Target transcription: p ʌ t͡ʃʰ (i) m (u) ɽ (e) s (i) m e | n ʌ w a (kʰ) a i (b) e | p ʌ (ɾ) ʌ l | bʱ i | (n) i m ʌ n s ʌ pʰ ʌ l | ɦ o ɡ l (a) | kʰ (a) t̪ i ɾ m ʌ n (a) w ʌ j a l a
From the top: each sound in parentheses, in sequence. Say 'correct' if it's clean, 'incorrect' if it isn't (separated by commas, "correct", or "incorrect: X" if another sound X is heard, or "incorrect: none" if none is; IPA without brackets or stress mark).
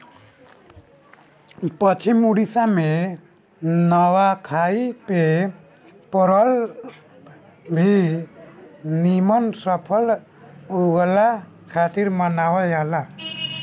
correct, correct, incorrect: i, incorrect: a, correct, incorrect: p, correct, correct, correct, correct, correct